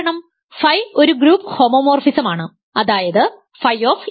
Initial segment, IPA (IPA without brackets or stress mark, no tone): ɳ